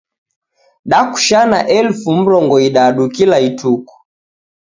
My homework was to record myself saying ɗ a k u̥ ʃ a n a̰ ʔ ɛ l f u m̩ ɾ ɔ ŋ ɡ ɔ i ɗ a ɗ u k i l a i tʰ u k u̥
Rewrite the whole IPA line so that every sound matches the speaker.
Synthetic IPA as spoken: ɗ a k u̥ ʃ a n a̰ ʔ ɛ l f u m̩ ɾ ɔ ŋ ɡ ɔ i ɗ a ɗ u k i l a i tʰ u k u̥